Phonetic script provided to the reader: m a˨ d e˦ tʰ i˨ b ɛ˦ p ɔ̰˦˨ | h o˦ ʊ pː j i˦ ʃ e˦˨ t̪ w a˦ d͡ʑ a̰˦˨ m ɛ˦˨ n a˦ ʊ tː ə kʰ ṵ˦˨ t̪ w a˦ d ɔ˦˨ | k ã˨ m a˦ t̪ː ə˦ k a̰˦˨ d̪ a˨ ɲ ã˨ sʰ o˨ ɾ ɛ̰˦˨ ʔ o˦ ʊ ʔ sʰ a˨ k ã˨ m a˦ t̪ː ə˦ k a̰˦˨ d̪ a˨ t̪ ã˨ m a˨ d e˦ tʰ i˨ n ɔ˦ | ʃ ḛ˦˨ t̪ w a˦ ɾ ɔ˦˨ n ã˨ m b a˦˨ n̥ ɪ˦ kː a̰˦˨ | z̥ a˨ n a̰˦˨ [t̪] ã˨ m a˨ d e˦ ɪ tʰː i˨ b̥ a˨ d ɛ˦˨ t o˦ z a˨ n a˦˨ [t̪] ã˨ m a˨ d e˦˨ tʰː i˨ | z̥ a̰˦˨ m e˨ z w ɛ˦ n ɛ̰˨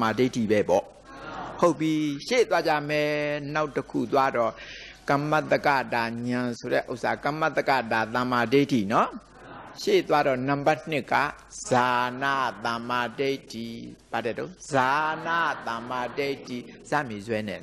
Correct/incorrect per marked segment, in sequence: correct, correct

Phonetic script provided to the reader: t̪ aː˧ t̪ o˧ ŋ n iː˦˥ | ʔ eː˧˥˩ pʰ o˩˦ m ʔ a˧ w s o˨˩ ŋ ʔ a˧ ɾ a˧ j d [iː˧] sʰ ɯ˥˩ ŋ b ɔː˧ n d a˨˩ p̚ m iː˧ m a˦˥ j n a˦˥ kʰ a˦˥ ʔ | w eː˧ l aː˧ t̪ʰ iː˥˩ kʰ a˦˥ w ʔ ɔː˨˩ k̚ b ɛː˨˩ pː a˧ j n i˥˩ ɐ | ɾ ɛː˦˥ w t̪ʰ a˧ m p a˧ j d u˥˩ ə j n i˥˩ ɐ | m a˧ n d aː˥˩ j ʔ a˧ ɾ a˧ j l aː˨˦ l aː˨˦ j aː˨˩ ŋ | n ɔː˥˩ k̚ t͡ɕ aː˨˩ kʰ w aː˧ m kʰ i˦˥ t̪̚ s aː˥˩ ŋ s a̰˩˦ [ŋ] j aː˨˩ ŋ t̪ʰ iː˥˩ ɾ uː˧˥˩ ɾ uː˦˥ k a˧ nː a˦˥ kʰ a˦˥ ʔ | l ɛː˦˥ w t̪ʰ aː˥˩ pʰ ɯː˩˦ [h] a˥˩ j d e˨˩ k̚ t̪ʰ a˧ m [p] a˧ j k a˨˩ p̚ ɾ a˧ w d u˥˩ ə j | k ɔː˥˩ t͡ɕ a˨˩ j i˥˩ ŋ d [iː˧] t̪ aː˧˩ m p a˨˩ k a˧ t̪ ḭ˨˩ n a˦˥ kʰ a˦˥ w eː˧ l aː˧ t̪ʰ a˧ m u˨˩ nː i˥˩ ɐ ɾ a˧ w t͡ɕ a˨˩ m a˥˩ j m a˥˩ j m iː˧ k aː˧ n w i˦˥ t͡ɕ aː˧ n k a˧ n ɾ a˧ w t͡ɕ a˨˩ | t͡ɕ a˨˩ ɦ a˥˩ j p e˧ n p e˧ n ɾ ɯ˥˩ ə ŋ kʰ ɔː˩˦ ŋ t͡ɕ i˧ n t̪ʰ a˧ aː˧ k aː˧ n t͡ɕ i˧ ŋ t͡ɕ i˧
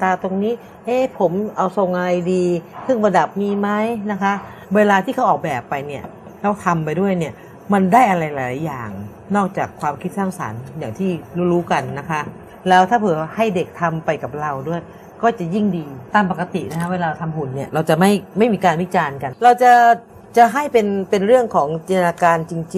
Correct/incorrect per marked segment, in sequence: correct, incorrect: n, correct, correct, correct

